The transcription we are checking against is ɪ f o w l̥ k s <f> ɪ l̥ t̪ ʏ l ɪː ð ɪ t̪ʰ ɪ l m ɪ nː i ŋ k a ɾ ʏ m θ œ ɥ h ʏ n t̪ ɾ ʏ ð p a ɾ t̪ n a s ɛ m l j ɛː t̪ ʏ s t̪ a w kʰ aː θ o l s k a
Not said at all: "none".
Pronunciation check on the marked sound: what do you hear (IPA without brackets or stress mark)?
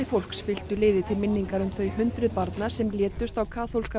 f